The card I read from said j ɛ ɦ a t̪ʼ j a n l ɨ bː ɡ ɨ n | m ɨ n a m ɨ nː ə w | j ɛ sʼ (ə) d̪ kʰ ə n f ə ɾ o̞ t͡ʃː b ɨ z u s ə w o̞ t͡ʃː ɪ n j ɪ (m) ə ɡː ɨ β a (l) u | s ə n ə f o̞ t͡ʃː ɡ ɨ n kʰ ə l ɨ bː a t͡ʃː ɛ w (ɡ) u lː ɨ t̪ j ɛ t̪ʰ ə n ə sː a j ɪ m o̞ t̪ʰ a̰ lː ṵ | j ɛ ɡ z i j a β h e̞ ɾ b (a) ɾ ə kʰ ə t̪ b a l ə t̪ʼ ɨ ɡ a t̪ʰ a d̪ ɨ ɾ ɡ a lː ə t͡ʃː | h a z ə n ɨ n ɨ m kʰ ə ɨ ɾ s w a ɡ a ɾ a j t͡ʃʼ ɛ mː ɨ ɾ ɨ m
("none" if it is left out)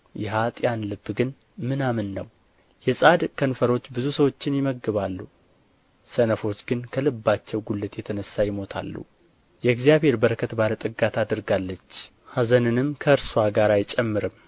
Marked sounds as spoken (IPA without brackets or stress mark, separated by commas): a, m, lː, ɡ, ə